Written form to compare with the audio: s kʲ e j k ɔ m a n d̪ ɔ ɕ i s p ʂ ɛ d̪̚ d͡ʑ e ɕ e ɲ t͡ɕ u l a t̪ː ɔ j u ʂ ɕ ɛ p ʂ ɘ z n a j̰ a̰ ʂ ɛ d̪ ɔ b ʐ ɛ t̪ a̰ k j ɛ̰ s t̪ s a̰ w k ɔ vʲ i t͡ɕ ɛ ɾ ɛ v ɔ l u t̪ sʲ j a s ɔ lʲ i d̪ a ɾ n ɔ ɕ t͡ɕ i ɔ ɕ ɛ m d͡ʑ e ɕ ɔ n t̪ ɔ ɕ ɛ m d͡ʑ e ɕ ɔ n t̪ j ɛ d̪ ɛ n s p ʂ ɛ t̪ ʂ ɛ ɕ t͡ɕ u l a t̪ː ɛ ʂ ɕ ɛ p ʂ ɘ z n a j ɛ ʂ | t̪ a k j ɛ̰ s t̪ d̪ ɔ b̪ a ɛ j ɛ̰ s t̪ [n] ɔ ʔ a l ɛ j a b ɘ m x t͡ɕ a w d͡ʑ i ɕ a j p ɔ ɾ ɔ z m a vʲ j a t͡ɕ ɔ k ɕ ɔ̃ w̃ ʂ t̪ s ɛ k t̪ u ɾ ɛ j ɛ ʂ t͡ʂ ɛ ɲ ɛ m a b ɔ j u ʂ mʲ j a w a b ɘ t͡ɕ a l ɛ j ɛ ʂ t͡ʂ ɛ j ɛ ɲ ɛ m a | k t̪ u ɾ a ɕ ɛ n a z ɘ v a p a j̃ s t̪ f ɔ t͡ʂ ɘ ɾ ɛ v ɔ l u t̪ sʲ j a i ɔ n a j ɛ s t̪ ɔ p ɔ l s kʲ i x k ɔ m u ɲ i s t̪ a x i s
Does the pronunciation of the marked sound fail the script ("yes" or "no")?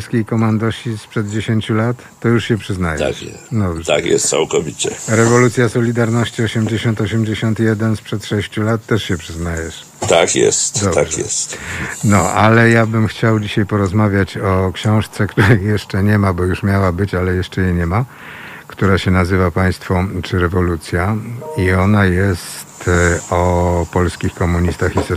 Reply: no